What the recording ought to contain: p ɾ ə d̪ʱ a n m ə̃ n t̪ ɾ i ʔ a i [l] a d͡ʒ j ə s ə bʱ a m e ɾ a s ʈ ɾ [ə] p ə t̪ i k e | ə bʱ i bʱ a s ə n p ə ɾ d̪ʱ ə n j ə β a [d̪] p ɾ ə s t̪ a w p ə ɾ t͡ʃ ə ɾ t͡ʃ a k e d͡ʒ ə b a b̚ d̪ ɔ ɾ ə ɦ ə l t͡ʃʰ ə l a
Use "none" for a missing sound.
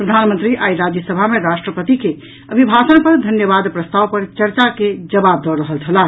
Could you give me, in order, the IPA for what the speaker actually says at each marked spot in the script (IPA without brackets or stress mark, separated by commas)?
ɾ, ə, d̪